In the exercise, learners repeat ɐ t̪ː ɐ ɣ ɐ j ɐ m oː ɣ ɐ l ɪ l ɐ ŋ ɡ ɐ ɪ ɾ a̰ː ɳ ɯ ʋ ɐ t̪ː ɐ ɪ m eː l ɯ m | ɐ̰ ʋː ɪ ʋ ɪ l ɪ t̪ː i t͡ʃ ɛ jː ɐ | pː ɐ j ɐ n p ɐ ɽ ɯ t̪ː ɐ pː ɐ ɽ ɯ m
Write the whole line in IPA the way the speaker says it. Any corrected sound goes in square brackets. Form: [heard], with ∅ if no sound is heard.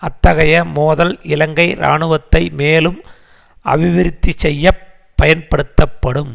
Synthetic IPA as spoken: ɐ t̪ː ɐ ɣ ɐ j ɐ m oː [ð] ɐ l ɪ l ɐ ŋ ɡ ɐ ɪ ɾ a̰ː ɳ ɯ ʋ ɐ t̪ː ɐ ɪ m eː l ɯ m | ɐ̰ [ʋ] ɪ ʋ ɪ [ɾ] ɪ t̪ː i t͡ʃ ɛ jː ɐ | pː ɐ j ɐ n p ɐ ɽ ɯ t̪ː ɐ pː ɐ ɽ ɯ m